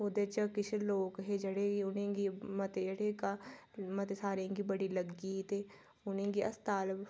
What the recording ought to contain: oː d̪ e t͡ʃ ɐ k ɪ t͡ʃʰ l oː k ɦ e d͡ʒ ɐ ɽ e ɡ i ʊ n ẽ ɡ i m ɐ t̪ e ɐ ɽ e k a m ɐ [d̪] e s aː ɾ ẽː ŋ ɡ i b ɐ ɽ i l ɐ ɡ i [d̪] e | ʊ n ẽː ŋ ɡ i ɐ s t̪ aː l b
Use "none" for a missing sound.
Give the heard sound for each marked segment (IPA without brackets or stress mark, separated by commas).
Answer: t̪, t̪